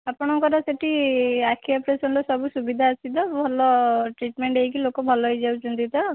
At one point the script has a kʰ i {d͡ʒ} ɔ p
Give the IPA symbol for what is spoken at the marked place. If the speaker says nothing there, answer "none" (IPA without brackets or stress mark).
none